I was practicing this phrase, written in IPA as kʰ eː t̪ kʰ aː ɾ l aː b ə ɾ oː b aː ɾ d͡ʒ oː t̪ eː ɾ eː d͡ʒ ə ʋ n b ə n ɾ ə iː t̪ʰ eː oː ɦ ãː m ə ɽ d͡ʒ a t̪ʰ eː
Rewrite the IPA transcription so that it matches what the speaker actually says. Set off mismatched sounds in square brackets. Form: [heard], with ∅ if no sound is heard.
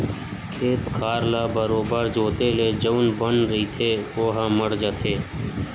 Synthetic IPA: kʰ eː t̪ kʰ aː ɾ l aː b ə ɾ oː b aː ɾ d͡ʒ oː t̪ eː [l] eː d͡ʒ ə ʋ n b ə n ɾ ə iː t̪ʰ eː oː ɦ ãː m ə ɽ d͡ʒ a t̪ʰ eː